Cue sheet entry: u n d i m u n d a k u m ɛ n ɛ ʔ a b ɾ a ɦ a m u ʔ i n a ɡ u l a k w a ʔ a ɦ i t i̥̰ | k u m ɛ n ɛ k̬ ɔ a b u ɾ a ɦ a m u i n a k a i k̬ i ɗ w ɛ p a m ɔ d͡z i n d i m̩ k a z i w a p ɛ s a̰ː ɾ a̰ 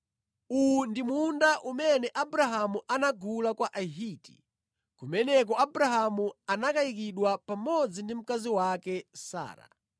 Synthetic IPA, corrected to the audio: u n d i m u n d a ʔ u m ɛ n ɛ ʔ a b ɾ a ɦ a m u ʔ a n a ɡ u l a k w a ʔ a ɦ i t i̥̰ | k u m ɛ n ɛ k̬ ɔ a b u ɾ a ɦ a m u a n a k a i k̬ i ɗ w a p a m ɔ d͡z i n d i m̩ k a z i w a k ɛ s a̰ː ɾ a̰